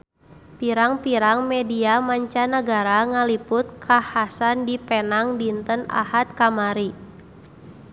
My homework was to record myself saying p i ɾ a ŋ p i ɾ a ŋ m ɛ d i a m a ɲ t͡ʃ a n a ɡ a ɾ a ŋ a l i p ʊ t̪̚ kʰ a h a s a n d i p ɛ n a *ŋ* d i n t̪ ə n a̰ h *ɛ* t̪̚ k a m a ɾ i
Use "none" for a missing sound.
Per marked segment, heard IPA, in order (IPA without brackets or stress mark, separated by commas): ŋ, a